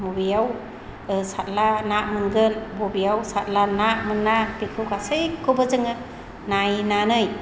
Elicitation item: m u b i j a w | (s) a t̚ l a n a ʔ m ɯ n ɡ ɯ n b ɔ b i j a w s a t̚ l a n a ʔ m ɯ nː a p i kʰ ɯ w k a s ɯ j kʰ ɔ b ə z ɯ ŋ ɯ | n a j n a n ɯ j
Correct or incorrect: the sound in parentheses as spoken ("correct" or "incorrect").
correct